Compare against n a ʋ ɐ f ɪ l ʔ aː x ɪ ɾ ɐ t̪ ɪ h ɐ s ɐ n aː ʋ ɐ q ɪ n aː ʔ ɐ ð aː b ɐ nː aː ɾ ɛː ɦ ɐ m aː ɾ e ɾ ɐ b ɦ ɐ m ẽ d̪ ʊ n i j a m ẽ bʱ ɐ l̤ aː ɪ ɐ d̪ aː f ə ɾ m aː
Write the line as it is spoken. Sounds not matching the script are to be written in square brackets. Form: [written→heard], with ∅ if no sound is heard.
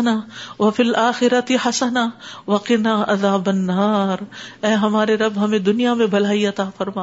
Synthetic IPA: n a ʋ ɐ f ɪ l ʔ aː x ɪ ɾ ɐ t̪ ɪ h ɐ s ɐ n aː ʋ ɐ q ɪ n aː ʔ ɐ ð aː b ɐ nː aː ɾ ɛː ɦ ɐ m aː ɾ e ɾ ɐ b ɦ ɐ m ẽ d̪ ʊ n i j a m ẽ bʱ ɐ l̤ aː [ɪ→i] ɐ [d̪→t̪] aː f [ə→ɐ] ɾ m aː